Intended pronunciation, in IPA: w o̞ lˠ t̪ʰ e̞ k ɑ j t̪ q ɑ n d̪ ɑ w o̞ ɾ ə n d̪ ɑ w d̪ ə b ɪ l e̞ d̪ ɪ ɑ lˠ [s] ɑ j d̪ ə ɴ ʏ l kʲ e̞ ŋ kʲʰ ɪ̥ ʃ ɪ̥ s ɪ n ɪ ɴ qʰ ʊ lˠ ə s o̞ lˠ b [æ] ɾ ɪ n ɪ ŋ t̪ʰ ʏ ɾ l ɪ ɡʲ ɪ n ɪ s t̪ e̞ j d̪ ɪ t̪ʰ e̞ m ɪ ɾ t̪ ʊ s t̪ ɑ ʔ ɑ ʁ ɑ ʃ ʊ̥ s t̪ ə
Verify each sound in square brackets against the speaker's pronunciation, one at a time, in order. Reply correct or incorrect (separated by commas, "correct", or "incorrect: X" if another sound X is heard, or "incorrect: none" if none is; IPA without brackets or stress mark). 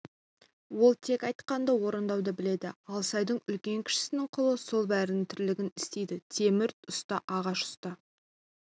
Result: correct, correct